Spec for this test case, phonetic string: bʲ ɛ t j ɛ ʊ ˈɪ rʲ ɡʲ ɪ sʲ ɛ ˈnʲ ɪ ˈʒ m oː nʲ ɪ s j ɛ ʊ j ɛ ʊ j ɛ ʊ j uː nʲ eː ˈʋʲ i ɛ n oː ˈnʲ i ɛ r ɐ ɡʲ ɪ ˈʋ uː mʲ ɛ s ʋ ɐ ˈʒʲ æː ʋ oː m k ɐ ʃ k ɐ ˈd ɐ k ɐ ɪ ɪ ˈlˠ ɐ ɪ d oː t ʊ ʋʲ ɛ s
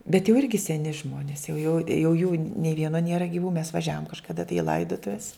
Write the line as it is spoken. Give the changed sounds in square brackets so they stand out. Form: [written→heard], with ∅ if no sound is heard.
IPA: bʲ ɛ t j ɛ ʊ ˈɪ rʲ ɡʲ ɪ sʲ ɛ ˈnʲ ɪ ˈʒ m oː nʲ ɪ s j ɛ ʊ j ɛ ʊ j ɛ ʊ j uː nʲ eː ˈʋʲ i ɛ n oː ˈnʲ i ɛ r ɐ ɡʲ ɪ ˈʋ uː mʲ ɛ s ʋ ɐ ˈʒʲ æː ʋ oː m k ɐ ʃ k ɐ ˈd ɐ [k→t] ɐ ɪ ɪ ˈlˠ ɐ ɪ d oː t ʊ ʋʲ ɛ s